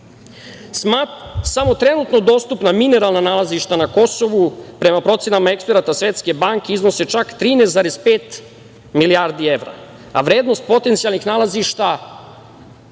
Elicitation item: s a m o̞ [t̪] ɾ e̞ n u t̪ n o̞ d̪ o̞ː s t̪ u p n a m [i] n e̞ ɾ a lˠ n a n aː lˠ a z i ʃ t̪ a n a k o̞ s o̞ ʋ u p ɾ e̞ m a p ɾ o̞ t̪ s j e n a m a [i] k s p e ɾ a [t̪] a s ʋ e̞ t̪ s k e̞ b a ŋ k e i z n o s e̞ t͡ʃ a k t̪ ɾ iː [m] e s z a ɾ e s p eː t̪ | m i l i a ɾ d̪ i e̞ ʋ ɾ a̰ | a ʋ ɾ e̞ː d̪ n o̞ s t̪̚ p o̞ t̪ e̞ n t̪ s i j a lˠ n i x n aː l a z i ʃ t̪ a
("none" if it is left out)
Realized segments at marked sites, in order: t̪, i, e, t̪, n

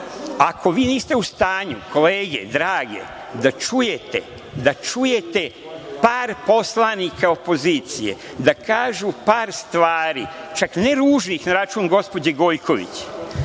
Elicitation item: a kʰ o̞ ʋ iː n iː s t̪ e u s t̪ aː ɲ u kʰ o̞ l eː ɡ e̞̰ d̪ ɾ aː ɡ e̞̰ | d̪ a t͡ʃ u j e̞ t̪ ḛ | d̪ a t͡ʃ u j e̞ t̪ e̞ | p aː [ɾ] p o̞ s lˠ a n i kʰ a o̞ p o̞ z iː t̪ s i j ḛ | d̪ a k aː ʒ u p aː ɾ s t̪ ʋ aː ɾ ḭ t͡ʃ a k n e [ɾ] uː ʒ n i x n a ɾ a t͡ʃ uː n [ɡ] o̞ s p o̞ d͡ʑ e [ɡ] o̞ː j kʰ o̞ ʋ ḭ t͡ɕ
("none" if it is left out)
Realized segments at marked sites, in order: ɾ, ɾ, ɡ, ɡ

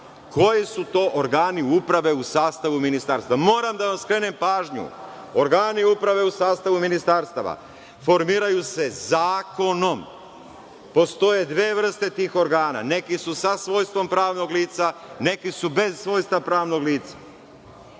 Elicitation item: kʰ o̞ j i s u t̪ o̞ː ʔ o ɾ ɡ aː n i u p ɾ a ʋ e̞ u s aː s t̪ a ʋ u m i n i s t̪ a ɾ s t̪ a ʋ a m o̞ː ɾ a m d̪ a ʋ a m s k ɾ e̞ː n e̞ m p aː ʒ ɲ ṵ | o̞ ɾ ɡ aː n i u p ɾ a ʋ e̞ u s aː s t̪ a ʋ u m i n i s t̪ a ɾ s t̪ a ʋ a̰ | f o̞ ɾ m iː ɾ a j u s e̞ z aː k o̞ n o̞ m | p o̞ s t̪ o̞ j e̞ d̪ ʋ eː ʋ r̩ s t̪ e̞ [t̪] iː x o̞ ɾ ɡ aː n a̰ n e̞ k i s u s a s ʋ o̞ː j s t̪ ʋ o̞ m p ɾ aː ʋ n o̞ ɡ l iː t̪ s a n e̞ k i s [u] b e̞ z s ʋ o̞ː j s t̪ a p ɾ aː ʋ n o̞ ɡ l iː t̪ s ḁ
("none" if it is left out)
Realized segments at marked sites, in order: t̪, u

